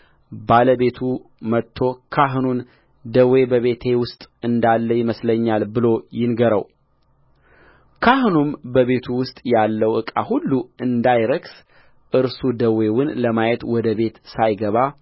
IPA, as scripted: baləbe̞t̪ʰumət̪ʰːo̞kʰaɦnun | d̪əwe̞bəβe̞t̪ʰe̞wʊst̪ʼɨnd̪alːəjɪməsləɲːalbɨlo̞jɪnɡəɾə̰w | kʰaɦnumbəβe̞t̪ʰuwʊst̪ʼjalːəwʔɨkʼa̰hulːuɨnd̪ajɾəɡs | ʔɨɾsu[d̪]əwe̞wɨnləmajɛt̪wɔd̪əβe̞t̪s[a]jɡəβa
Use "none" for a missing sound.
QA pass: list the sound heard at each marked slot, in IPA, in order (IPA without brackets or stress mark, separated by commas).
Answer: d̪, a